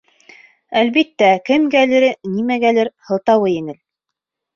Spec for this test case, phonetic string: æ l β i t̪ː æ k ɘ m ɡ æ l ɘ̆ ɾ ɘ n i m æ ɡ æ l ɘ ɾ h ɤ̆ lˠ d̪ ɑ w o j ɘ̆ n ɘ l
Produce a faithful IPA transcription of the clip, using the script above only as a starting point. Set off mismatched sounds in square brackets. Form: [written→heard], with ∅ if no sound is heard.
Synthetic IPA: æ l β i t̪ː æ k ɘ m ɡ æ l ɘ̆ ɾ ɘ n i m æ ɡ æ l ɘ ɾ h ɤ̆ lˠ [d̪→t̪] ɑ w [o→ɤ] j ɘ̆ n ɘ l